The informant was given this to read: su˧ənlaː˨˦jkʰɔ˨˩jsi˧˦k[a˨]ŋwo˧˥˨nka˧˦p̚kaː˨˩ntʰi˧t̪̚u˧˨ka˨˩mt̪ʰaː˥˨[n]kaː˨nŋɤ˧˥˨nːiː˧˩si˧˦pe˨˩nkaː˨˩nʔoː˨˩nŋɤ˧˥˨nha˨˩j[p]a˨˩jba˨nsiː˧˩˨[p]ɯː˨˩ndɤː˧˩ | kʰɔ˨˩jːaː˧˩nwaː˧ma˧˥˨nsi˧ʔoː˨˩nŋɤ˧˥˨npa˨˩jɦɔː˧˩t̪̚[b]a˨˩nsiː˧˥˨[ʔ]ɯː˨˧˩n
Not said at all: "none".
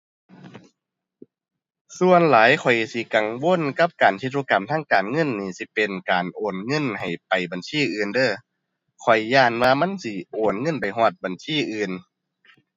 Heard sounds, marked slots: a˨, ŋ, p, ʔ, b, ʔ

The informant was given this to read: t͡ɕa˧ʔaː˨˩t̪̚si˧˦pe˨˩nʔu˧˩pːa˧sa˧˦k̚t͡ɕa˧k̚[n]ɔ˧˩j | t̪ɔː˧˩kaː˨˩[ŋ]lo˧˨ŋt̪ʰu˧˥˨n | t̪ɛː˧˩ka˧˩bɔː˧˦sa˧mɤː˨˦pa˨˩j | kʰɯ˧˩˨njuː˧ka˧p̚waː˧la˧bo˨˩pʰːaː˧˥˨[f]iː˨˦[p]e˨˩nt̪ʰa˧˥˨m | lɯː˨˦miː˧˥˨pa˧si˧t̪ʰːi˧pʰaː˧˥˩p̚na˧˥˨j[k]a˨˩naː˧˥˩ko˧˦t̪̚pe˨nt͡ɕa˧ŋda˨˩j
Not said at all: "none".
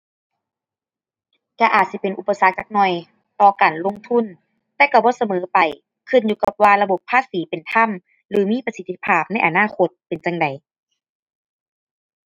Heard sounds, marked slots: n, n, s, p, ʔ

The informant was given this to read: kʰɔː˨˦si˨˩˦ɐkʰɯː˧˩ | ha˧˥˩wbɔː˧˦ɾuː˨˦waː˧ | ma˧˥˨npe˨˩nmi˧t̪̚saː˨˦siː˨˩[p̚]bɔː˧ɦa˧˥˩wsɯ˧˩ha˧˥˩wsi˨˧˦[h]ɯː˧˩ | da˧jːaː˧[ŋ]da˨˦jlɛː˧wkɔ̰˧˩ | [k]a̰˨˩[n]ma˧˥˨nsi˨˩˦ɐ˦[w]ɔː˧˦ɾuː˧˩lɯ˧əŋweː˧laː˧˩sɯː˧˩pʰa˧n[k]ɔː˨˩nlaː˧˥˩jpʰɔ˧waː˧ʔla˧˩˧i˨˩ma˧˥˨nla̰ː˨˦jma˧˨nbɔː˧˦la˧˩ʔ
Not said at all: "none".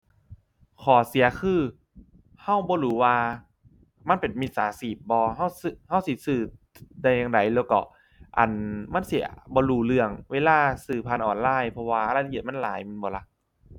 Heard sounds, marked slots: p̚, s, ŋ, ʔ, n, b, ʔ

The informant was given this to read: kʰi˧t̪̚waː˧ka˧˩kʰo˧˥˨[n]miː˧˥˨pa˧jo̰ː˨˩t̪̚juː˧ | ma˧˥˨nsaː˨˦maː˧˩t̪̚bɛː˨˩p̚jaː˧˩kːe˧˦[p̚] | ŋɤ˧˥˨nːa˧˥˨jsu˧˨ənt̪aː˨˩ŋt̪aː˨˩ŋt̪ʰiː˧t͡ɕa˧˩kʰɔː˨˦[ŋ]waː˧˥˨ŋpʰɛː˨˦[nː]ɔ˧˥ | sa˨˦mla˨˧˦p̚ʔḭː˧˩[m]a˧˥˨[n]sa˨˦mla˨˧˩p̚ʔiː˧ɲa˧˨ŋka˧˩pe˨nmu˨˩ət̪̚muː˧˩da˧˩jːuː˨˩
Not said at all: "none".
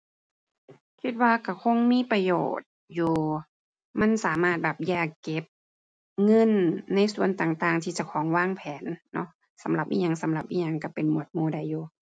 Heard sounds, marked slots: ŋ, p̚, ŋ, nː, ɲ, ŋ

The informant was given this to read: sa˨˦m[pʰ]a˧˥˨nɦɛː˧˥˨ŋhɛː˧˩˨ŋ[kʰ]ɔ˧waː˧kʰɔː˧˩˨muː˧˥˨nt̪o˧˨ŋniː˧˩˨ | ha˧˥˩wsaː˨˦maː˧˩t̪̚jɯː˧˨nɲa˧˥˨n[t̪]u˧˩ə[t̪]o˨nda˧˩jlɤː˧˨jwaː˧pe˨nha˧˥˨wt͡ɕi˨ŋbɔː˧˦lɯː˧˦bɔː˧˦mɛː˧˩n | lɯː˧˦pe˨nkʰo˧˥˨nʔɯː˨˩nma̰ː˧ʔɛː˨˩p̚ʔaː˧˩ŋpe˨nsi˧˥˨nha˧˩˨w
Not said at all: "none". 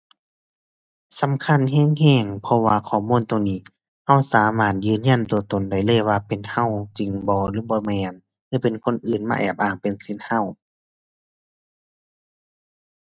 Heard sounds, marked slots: kʰ, pʰ, t̪, t̪

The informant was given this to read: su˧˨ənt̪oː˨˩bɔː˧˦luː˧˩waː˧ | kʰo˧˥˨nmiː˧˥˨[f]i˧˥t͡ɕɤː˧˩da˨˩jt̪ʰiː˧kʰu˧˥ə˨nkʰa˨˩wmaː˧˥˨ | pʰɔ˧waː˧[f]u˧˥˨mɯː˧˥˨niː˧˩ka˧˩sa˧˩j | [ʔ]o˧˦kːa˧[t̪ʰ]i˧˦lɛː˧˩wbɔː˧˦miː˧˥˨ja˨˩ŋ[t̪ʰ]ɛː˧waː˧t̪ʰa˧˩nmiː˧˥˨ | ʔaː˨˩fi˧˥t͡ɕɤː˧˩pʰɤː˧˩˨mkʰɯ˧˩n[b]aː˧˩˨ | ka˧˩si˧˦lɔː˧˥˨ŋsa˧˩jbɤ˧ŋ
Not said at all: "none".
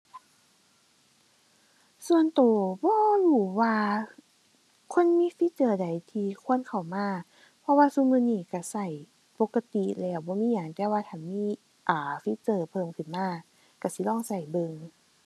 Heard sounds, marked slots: f, s, p, t̪, t̪, m

